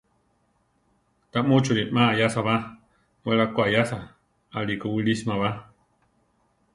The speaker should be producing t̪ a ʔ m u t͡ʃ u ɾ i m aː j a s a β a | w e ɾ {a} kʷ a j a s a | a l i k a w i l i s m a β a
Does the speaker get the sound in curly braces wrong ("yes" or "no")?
no